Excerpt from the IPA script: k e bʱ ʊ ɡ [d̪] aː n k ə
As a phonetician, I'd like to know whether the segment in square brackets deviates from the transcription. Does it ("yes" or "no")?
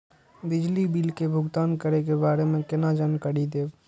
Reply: yes